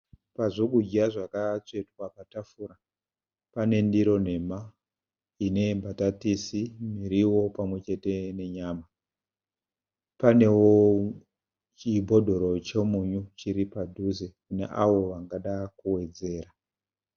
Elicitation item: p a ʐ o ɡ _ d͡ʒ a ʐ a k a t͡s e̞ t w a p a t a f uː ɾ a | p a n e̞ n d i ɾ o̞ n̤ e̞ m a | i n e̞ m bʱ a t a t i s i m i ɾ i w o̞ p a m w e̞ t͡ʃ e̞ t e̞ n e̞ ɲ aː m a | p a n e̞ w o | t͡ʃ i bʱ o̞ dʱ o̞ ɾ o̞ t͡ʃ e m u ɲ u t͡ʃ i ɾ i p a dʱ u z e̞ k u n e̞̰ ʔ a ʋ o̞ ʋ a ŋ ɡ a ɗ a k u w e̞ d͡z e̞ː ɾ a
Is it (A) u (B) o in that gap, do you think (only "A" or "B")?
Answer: A